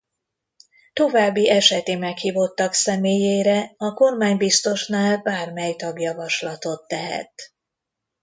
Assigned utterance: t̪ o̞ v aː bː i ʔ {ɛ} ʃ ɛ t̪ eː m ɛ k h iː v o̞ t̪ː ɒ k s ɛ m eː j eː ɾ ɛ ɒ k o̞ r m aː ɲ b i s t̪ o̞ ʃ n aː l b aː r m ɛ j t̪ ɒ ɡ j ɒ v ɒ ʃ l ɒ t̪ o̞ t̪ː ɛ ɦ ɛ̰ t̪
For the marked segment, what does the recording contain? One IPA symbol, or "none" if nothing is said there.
ɛ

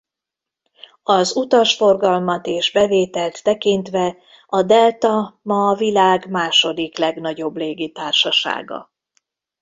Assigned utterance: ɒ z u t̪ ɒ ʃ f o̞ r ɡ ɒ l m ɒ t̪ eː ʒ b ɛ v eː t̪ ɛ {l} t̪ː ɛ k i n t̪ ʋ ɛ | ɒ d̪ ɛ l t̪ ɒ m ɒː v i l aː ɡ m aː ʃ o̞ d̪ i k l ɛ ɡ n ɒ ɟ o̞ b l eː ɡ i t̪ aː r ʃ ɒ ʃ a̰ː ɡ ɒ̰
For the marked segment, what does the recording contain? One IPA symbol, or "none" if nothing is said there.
l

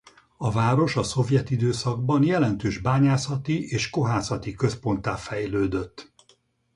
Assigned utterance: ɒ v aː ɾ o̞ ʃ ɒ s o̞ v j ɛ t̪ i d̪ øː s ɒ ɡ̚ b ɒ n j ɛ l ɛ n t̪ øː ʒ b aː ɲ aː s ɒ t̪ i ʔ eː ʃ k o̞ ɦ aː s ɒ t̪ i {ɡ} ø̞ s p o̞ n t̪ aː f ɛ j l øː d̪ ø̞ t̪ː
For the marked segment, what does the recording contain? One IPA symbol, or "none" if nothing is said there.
k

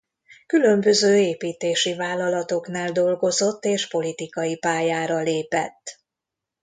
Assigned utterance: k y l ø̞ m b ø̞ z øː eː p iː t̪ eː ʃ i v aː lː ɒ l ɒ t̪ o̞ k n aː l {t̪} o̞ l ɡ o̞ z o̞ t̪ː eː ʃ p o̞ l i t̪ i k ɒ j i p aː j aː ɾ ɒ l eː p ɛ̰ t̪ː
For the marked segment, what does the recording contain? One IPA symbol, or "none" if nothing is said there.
d̪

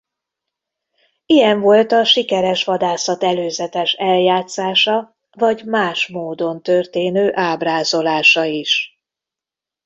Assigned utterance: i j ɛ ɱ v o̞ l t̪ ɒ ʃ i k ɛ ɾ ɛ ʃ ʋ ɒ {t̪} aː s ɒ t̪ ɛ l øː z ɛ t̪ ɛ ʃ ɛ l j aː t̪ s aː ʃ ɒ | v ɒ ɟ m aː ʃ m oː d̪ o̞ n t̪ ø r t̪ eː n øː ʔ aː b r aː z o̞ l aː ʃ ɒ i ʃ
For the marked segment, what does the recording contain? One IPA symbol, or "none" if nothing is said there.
d̪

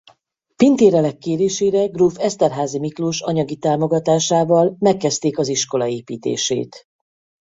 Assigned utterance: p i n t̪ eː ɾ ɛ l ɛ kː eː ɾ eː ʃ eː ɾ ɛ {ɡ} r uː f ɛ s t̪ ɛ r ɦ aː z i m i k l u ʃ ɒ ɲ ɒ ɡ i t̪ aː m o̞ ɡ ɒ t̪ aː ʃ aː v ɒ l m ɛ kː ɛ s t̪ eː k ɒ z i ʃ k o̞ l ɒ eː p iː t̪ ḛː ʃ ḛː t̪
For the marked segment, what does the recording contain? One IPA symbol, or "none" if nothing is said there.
ɡ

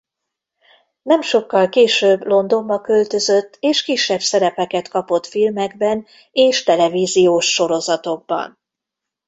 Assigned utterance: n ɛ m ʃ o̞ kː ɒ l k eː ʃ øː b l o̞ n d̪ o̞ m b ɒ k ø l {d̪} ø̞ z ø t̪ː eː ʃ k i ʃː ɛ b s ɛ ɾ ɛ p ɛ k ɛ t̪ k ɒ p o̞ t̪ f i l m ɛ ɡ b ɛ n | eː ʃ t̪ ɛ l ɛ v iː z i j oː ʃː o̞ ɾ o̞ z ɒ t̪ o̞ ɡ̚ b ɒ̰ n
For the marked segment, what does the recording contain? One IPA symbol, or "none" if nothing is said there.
t̪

